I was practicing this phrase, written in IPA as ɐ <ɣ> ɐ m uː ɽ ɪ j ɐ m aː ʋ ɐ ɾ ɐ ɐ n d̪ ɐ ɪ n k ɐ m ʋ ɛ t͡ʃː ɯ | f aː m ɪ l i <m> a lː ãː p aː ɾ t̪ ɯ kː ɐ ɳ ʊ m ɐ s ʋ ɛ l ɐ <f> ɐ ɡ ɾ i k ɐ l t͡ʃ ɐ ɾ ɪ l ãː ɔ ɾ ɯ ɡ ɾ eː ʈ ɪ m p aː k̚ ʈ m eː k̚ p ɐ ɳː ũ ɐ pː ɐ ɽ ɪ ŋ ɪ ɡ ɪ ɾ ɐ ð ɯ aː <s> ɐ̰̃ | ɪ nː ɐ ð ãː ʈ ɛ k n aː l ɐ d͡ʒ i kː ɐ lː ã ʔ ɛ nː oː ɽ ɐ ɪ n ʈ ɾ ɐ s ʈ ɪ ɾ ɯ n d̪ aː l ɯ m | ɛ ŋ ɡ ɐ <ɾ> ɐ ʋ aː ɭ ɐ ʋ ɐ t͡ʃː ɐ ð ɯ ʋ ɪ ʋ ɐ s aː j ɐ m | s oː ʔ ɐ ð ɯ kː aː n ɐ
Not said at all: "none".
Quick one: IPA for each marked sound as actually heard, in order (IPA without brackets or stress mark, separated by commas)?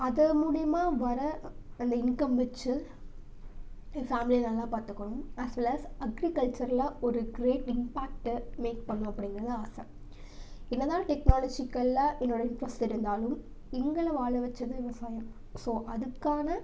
ð, n, s, s, ɭ